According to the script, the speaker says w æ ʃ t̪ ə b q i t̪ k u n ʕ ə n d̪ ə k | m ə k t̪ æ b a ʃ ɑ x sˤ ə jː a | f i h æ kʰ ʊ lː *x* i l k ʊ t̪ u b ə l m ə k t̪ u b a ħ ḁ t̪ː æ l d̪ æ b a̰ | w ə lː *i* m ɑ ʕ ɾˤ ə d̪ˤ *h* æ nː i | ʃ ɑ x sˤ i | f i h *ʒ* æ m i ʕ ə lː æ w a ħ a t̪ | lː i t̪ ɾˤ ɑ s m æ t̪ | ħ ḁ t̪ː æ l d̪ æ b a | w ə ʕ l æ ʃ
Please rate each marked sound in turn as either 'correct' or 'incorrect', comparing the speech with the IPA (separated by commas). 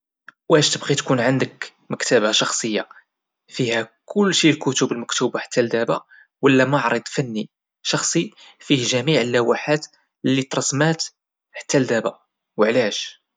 incorrect, incorrect, incorrect, correct